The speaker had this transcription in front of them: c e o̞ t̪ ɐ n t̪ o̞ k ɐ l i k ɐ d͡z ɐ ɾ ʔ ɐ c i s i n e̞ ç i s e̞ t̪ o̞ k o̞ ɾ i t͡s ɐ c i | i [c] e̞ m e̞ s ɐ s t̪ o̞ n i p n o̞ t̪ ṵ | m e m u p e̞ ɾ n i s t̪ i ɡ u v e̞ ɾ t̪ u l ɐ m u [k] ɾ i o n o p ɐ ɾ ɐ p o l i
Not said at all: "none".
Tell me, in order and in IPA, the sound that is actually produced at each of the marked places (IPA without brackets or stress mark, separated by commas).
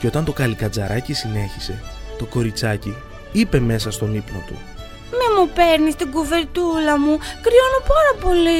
p, k